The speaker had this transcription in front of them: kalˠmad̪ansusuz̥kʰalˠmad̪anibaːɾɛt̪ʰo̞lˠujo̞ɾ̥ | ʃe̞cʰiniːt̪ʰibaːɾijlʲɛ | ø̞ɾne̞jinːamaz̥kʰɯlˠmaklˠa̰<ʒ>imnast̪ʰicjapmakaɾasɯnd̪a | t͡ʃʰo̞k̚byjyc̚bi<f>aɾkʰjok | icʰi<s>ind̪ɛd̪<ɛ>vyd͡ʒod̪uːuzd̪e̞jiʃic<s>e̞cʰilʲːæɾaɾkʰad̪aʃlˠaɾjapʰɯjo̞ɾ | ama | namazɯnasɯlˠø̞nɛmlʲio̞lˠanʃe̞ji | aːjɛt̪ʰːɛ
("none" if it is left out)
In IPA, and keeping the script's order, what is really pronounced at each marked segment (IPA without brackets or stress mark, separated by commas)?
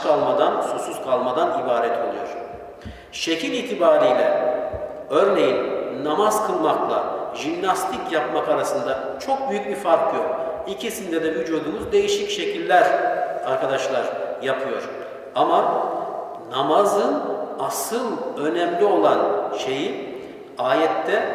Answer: ʒ, f, s, ɛ, ʃ